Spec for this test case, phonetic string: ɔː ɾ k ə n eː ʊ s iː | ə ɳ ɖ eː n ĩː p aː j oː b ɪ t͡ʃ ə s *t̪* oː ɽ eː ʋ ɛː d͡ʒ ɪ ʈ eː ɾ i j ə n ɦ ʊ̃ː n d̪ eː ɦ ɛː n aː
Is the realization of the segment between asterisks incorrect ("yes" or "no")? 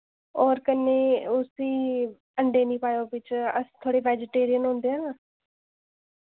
yes